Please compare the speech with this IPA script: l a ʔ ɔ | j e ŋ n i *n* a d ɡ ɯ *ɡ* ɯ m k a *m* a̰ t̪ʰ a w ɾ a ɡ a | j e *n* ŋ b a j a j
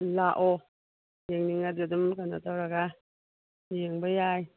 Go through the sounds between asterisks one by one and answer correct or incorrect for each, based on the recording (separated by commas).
incorrect, incorrect, incorrect, incorrect